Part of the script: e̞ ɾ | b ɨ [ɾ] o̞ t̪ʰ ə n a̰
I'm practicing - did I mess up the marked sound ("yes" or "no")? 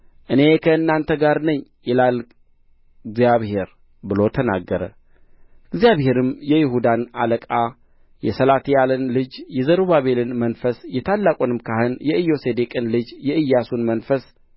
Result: yes